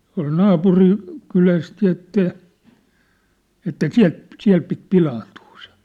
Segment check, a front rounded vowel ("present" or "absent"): present